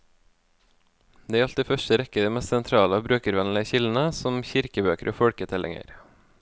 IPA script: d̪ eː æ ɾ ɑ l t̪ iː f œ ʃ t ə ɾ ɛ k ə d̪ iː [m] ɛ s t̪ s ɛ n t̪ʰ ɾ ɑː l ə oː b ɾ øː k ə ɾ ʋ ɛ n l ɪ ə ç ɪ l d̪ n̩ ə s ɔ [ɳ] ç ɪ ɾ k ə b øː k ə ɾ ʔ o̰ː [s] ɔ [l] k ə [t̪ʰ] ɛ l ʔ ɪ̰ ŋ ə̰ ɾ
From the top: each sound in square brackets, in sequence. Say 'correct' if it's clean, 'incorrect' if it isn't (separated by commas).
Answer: correct, incorrect, incorrect, incorrect, correct